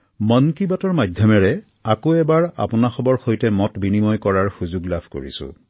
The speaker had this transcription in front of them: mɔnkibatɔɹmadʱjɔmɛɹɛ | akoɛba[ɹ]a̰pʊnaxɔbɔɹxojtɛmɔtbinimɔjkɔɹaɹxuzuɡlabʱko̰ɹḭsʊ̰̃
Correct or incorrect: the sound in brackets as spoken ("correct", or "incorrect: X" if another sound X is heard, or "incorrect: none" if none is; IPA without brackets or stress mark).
correct